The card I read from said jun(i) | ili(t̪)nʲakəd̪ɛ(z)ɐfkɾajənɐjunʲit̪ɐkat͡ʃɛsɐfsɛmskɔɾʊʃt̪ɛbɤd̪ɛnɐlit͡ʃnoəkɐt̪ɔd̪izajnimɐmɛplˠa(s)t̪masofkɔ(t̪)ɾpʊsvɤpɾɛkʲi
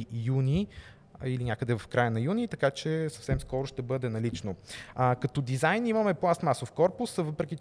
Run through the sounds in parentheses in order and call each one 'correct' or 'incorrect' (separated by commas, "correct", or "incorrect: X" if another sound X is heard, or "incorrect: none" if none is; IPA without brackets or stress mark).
correct, incorrect: none, incorrect: v, correct, incorrect: none